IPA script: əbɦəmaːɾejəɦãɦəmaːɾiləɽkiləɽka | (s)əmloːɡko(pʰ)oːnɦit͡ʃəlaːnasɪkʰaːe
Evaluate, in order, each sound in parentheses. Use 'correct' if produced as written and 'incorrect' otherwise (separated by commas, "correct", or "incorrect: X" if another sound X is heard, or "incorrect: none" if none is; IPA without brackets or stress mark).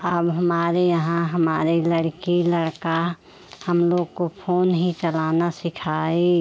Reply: incorrect: h, correct